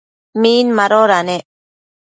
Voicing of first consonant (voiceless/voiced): voiced